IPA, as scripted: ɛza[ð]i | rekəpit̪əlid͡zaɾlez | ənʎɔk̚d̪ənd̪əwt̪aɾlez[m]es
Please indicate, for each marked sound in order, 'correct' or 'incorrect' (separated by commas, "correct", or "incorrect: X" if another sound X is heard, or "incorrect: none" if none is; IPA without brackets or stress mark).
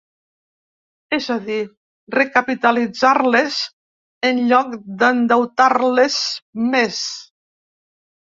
correct, correct